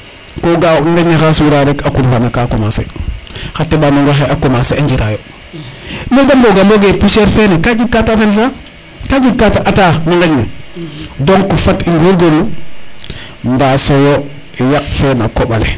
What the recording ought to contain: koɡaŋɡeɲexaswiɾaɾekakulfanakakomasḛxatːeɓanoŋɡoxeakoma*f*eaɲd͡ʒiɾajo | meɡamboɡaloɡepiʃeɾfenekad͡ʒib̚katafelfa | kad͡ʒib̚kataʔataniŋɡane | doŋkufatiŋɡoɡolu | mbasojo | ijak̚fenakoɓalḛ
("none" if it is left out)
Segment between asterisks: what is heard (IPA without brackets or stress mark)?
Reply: s